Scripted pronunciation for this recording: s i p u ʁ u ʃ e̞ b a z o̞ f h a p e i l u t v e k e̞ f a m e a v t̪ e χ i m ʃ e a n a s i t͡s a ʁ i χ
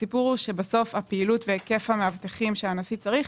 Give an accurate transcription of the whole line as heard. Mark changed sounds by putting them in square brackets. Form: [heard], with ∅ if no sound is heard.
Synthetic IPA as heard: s i p u ʁ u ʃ e̞ b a [s] o̞ f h a p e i l u t v e k e̞ f a m e a v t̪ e χ i m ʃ e a n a s i t͡s a ʁ i χ